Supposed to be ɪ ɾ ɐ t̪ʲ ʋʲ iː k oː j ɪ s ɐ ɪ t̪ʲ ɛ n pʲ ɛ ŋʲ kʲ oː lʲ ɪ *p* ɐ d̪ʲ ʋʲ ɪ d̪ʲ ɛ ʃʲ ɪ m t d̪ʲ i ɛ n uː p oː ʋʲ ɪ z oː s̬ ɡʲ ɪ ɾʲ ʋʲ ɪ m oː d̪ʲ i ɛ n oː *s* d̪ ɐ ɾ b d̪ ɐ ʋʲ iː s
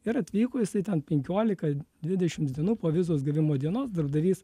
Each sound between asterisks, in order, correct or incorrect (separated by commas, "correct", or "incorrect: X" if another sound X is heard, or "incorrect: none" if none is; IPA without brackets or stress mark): incorrect: k, correct